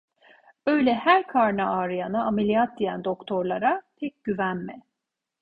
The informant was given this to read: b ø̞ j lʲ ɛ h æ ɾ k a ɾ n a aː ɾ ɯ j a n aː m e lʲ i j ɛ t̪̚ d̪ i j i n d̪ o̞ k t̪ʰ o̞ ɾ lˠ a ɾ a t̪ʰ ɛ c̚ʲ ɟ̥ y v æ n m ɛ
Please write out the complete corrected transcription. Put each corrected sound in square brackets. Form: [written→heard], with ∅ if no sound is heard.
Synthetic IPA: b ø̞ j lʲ ɛ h æ ɾ [k→kʰ] a ɾ n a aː ɾ ɯ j a n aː m e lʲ i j [ɛ→a] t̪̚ d̪ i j [i→æ] n d̪ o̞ k t̪ʰ o̞ ɾ lˠ a ɾ a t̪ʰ ɛ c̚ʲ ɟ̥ y v æ n m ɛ

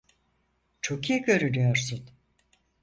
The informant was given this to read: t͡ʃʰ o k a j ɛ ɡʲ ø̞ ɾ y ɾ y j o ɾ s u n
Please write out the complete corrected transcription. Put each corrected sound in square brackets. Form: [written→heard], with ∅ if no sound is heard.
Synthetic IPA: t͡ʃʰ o k [a→i] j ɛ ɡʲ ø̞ ɾ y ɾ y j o ɾ s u n

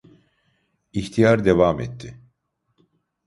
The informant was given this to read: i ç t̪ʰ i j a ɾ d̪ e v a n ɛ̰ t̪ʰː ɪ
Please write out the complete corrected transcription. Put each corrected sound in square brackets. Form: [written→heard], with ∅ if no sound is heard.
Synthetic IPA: i ç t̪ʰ i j a ɾ d̪ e v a [n→m] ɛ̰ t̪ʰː ɪ

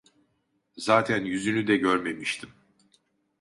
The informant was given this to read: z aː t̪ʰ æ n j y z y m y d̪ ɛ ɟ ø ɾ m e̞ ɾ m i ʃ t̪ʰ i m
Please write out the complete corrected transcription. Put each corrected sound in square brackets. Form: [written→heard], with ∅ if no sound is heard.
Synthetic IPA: z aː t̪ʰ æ n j y z y [m→n] y d̪ ɛ ɟ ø ɾ m e̞ [ɾ→∅] m i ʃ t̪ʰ i m

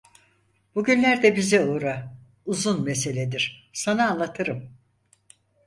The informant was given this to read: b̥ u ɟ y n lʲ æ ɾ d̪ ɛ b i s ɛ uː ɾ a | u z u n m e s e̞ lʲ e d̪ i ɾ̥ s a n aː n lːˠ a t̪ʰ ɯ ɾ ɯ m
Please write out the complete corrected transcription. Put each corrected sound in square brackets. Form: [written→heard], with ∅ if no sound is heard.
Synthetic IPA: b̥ u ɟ y n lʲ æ ɾ d̪ ɛ b i [s→z] ɛ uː ɾ a | u z u n m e s e̞ lʲ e d̪ i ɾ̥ s a n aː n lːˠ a t̪ʰ ɯ ɾ ɯ m

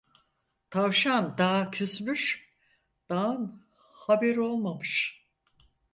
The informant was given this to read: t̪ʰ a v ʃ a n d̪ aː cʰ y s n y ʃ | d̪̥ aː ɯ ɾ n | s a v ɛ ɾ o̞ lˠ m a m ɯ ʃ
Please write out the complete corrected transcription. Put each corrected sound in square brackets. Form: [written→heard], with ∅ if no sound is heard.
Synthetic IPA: t̪ʰ a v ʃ a n d̪ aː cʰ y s [n→m] y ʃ | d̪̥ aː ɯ [ɾ→∅] n | [s→h] a [v→b] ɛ ɾ o̞ lˠ m a m ɯ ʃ

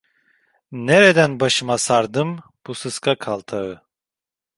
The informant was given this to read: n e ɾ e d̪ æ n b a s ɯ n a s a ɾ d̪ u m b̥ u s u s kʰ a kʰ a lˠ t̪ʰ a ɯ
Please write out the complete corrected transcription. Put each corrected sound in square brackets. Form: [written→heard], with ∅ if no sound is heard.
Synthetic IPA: n e ɾ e d̪ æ n b a [s→ʃ] ɯ [n→m] a s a ɾ d̪ [u→ɯ] m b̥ u s [u→ɯ] s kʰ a kʰ a lˠ t̪ʰ a ɯ

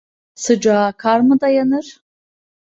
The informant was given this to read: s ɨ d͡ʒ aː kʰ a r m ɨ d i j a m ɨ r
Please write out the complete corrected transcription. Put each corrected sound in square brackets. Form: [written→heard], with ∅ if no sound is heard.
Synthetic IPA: s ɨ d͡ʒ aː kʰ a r m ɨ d [i→a] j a [m→n] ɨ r

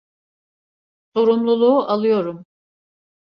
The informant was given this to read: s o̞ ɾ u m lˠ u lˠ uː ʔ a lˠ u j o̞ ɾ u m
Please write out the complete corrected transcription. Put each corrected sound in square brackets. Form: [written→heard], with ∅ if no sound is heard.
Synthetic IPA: s o̞ ɾ u m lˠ u lˠ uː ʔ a lˠ [u→ɯ] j o̞ ɾ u m

